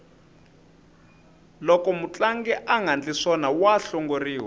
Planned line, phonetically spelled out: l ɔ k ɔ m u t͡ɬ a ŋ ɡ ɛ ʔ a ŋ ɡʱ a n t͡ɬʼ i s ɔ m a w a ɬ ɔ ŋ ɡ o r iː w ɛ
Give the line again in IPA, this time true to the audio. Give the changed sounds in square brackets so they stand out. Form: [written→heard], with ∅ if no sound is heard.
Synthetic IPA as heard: l ɔ k ɔ m u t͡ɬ a ŋ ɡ ɛ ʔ a ŋ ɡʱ a n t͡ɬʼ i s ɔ [m→n] a w a ɬ ɔ ŋ ɡ o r iː w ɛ